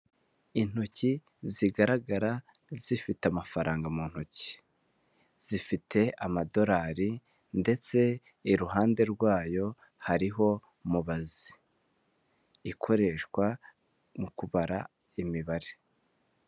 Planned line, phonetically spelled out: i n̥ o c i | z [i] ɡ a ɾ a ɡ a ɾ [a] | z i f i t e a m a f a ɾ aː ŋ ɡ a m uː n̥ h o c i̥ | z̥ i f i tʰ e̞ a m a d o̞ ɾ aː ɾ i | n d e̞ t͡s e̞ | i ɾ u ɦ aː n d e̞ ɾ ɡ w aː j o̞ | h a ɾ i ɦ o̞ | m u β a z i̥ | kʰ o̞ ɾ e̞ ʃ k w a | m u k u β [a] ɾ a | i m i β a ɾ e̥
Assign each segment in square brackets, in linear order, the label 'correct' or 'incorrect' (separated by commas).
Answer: correct, correct, correct